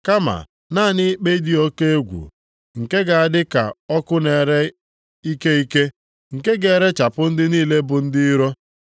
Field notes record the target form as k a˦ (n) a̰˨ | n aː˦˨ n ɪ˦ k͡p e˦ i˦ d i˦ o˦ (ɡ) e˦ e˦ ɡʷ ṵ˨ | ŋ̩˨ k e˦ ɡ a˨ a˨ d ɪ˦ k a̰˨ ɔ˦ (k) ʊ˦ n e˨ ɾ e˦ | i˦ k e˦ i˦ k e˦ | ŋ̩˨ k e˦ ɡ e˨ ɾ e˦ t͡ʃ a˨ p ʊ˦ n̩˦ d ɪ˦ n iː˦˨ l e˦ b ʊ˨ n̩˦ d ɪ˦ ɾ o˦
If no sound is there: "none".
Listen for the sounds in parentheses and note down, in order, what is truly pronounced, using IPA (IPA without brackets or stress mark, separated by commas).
m, k, k